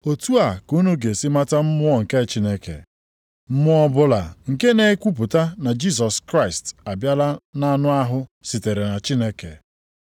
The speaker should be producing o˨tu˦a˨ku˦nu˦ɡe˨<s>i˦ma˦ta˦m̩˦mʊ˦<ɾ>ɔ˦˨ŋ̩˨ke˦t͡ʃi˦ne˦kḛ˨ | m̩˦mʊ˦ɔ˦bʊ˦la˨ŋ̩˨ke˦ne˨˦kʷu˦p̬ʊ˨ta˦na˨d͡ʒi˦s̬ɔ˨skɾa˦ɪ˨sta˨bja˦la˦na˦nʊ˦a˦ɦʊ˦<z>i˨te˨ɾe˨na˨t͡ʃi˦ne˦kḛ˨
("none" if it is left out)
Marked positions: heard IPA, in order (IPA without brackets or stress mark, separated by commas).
s, none, s